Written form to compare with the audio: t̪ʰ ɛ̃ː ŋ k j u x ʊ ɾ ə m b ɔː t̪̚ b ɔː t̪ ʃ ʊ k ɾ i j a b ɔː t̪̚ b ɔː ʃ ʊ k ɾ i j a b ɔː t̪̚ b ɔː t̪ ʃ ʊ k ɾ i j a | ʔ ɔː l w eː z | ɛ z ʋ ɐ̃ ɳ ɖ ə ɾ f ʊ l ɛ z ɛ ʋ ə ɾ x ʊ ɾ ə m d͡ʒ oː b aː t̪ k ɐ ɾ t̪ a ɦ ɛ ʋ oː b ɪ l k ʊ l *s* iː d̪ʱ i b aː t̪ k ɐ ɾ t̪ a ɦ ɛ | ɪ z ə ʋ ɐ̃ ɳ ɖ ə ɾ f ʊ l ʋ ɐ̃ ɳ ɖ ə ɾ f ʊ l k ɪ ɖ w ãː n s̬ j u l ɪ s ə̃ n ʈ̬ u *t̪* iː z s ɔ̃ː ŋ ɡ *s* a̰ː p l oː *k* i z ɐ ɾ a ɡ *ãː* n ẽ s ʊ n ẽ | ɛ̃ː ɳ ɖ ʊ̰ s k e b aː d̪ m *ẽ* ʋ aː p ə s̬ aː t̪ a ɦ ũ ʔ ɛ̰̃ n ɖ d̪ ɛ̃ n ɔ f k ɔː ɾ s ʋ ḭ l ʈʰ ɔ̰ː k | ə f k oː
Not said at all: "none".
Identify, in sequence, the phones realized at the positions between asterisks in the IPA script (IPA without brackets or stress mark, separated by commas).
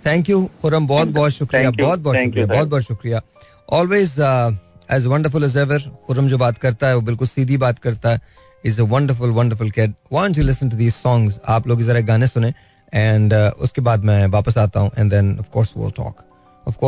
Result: s, d̪, z, ɡ, aː, ɛ̃